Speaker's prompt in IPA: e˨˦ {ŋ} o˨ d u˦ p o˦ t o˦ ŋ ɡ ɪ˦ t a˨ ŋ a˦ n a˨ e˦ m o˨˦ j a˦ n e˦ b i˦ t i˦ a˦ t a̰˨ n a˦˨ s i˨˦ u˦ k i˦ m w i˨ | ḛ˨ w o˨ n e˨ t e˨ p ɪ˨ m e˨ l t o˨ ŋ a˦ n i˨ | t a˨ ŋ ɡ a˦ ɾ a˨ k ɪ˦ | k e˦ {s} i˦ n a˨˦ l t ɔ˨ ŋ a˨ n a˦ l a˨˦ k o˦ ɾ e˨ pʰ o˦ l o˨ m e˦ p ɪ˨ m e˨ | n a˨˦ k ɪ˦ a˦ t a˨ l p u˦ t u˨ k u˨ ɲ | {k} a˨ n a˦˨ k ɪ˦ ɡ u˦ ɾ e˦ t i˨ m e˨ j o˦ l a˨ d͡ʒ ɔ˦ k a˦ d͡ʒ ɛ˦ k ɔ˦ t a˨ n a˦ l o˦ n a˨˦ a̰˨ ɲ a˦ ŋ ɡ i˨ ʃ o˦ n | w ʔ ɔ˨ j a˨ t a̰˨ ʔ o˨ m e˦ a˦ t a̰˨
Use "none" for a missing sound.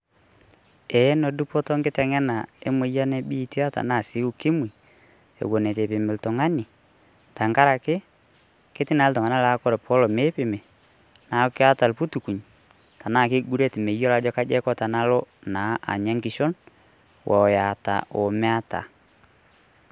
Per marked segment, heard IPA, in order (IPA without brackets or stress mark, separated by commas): n, t, t